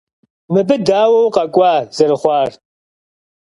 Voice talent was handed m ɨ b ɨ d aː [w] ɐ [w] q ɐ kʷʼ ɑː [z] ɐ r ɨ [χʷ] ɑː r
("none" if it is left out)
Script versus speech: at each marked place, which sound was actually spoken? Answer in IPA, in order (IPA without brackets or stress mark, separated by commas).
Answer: w, w, z, χʷ